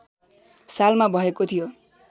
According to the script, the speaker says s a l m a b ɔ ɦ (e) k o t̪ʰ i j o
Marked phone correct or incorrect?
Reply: correct